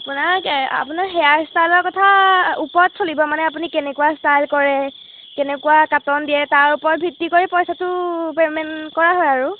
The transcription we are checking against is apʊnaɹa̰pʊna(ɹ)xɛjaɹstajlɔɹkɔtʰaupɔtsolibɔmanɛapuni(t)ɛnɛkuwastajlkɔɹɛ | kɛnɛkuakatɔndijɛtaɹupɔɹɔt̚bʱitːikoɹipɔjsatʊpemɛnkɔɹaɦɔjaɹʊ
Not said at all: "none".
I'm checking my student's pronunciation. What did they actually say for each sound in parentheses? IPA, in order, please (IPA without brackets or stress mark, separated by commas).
ɹ, k